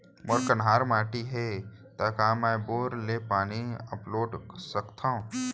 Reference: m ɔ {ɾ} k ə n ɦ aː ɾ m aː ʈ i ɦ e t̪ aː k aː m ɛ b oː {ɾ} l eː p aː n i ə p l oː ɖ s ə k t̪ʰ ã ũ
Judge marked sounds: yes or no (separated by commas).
yes, yes